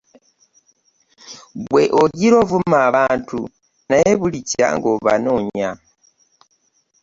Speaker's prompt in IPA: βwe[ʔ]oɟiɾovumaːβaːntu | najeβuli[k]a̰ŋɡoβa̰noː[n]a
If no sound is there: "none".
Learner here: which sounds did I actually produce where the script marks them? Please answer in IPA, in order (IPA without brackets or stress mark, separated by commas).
ʔ, c, ɲ